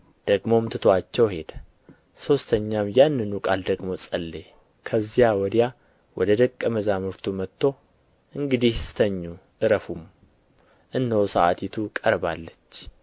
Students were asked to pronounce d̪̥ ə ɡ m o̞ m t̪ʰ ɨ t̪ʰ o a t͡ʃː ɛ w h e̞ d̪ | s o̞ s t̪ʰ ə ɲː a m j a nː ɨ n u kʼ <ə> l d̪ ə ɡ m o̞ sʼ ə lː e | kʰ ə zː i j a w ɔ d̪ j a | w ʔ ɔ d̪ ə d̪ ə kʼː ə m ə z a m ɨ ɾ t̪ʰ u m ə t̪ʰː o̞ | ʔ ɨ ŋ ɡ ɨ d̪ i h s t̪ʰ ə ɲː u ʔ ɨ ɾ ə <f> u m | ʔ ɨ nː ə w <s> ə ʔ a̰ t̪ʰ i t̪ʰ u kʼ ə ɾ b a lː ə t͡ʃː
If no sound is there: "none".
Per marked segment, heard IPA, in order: a, f, s

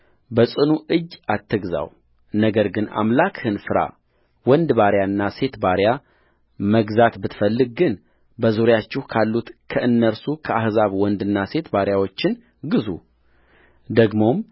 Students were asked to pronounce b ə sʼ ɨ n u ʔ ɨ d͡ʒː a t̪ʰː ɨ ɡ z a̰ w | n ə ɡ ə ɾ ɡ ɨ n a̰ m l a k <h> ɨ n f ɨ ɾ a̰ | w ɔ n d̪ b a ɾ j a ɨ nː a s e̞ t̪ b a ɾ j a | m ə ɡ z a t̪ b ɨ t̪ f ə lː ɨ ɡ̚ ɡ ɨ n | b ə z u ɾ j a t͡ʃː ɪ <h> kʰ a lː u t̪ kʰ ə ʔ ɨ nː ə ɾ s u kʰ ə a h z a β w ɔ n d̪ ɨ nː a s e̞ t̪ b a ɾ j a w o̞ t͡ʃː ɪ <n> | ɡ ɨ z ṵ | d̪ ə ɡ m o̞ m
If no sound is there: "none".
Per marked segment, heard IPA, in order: h, h, n

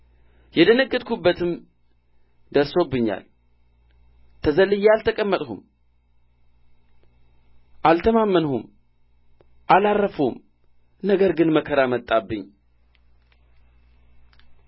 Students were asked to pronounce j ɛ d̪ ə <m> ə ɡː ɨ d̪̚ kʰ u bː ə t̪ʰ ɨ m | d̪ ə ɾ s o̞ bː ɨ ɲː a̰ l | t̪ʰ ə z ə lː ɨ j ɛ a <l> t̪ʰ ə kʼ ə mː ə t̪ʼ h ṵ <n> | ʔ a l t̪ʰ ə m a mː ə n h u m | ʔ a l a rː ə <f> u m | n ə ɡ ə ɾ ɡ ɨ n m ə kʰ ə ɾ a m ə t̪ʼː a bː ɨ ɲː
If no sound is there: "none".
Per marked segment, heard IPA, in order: n, l, m, f

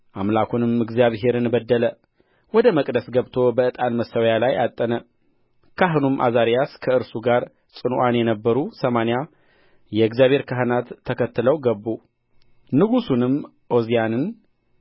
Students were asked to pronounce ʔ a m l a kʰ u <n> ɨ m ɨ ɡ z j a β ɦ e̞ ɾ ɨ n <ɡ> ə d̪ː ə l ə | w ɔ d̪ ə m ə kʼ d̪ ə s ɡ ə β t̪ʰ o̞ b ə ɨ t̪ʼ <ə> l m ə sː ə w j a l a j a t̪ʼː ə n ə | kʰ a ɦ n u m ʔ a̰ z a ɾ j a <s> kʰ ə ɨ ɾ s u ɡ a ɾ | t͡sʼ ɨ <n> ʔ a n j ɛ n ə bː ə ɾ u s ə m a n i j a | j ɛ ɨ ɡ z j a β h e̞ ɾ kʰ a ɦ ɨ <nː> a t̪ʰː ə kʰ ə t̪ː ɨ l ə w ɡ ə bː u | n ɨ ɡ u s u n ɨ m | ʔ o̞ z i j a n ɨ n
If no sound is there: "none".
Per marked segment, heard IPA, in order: n, b, a, s, n, n

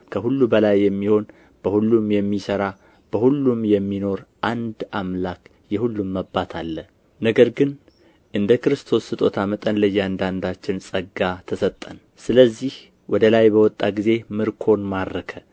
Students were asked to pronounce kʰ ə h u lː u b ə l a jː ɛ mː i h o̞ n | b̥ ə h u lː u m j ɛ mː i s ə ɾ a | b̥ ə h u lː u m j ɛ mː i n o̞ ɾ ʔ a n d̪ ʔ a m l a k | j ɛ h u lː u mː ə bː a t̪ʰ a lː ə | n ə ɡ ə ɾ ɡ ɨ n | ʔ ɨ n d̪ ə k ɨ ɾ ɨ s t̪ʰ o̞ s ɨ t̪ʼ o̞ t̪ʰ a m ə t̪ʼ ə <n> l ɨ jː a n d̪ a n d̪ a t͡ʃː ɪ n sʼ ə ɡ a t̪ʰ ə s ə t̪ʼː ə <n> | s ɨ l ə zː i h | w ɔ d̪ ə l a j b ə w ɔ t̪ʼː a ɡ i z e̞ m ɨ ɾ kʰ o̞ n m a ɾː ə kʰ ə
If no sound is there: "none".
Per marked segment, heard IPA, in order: n, n

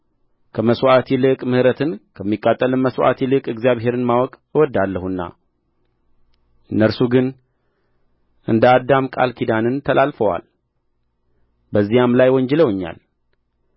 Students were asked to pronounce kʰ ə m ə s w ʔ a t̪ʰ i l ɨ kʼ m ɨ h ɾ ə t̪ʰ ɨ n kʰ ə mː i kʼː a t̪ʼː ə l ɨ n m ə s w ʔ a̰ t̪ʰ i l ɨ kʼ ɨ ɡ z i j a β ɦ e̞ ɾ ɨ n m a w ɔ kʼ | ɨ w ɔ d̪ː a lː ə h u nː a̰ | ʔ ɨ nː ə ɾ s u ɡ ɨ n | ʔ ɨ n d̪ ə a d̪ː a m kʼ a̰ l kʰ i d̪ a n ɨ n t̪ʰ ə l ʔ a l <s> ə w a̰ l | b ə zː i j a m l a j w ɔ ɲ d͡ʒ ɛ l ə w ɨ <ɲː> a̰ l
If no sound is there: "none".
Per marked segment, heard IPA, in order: f, ɲː

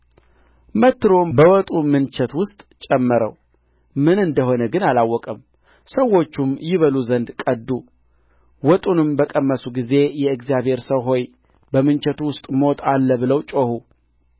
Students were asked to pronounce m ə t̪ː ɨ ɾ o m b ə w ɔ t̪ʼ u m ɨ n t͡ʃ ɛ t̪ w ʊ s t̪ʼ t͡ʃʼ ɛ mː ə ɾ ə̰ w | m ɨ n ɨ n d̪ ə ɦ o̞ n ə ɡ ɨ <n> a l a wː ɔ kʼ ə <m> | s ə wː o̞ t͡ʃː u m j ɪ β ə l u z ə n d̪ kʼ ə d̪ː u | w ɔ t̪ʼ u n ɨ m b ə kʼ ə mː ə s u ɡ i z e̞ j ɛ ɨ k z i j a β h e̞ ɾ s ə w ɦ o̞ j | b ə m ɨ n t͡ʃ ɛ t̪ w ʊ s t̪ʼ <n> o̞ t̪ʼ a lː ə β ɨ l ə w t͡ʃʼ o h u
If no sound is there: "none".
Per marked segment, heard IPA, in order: n, m, m

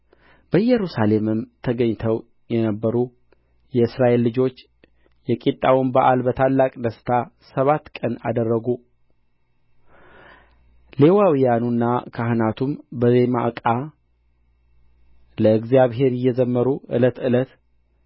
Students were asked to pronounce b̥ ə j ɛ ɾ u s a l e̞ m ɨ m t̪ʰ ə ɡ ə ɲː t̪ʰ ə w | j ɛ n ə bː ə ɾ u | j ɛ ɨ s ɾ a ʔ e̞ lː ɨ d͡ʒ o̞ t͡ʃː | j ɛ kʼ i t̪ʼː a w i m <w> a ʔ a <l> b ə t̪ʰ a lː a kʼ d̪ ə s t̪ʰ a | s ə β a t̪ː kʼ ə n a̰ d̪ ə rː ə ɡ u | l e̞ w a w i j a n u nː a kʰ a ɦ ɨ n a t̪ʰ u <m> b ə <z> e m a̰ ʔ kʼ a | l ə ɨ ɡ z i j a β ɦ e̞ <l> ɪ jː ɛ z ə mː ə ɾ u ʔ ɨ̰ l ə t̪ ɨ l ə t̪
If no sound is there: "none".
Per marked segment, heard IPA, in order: b, l, m, z, ɾ

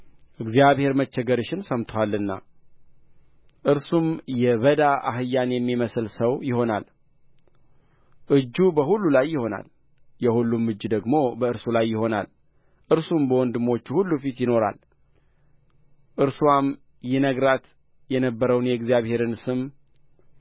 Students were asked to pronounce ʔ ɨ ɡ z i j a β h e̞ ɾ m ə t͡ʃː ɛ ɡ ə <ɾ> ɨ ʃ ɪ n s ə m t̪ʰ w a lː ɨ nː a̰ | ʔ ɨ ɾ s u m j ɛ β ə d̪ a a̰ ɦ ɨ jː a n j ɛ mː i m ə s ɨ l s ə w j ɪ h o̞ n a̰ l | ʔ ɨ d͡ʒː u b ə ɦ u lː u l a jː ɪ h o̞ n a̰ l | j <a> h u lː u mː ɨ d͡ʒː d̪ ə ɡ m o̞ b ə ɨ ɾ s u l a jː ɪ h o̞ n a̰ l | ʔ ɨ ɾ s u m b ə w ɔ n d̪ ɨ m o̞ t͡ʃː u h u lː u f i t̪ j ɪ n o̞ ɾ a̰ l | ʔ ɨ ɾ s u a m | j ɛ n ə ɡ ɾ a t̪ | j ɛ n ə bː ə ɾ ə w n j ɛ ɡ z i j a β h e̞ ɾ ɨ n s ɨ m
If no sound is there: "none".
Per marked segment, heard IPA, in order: ɾ, ɛ

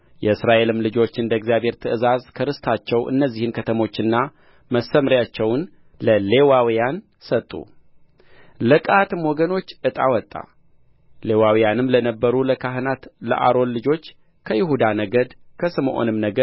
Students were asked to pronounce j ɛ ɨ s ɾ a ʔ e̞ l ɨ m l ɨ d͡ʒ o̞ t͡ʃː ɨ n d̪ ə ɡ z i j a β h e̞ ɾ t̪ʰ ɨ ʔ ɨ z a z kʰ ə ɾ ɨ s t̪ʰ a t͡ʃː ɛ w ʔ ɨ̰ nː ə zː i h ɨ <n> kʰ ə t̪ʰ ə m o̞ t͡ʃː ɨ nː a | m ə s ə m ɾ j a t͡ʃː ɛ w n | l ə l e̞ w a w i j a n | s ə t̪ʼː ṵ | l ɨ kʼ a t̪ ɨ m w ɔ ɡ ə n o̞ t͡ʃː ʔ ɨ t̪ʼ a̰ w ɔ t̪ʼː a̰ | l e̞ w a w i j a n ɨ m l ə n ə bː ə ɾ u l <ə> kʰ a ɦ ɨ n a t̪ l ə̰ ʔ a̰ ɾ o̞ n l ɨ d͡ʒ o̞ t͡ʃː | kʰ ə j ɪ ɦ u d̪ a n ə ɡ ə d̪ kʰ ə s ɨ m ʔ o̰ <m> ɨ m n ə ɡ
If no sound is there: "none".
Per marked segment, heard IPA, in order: n, ə, n

